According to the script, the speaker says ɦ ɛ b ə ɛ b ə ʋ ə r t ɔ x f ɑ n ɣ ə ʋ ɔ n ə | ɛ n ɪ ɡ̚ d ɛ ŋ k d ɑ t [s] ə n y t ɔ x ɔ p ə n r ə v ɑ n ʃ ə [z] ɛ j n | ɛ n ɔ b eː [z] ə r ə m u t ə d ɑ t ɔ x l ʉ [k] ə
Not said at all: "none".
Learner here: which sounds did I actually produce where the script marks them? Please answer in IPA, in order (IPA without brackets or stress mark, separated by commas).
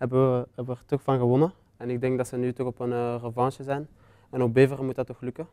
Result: s, z, v, k